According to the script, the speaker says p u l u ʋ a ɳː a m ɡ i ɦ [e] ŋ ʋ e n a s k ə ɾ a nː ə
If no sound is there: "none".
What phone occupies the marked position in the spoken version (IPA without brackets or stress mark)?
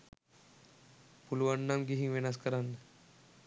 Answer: i